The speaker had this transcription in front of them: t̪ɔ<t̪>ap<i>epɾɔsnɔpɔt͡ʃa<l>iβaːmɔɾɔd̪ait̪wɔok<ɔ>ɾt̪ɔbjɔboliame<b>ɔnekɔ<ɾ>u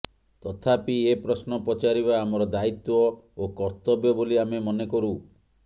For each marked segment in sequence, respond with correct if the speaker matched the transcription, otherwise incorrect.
incorrect, correct, incorrect, correct, incorrect, correct

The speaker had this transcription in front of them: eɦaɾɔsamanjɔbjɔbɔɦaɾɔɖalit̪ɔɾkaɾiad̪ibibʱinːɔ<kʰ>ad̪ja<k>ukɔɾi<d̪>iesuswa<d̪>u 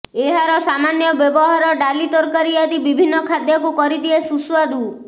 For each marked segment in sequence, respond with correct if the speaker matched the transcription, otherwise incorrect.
correct, correct, correct, correct

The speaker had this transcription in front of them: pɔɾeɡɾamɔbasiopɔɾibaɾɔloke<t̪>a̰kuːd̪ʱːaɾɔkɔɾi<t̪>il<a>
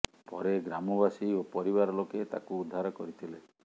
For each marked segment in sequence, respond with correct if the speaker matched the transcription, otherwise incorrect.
correct, incorrect, incorrect

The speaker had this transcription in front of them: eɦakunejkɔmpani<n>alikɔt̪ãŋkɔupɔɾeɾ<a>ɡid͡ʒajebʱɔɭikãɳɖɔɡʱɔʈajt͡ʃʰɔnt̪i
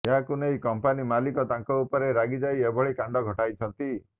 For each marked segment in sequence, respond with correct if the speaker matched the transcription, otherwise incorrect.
incorrect, correct

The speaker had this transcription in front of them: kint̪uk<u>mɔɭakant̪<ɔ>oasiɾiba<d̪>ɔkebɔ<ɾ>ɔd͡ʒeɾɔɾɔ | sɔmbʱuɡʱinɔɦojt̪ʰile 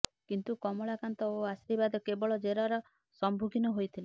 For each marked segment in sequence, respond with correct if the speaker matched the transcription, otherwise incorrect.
incorrect, correct, correct, incorrect

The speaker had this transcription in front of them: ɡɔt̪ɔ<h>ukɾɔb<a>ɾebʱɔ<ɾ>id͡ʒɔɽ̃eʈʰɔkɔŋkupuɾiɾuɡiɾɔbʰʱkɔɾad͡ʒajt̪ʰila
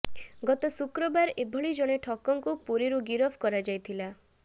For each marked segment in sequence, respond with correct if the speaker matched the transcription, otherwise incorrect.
incorrect, correct, incorrect

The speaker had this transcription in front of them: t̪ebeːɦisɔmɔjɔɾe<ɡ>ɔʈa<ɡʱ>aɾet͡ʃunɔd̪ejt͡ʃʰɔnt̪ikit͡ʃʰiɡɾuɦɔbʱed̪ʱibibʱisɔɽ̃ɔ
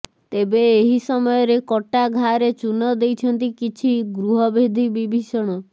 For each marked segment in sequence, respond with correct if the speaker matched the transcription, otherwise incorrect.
incorrect, correct

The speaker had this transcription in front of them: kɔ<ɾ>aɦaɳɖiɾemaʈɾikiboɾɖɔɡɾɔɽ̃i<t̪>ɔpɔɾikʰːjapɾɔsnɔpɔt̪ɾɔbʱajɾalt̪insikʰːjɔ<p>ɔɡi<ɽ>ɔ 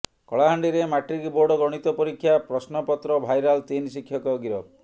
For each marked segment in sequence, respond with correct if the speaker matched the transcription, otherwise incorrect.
incorrect, correct, incorrect, incorrect

